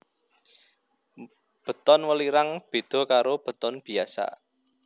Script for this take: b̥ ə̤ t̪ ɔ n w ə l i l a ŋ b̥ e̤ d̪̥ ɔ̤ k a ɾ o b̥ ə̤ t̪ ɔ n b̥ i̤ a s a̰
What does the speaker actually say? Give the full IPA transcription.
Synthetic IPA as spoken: b̥ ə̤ t̪ ɔ n w ə l i ɾ a ŋ b̥ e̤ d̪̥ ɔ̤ k a ɾ o b̥ ə̤ t̪ ɔ n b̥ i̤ a s a̰